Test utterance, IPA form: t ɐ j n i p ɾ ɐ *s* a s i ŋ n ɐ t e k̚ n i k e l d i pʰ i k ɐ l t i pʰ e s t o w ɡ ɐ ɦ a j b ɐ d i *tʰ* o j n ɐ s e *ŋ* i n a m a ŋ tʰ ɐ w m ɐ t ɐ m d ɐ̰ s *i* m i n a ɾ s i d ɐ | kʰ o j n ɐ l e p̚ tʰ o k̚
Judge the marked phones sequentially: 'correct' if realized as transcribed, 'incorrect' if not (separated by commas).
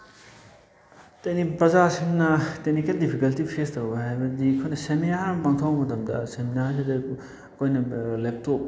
incorrect, incorrect, incorrect, incorrect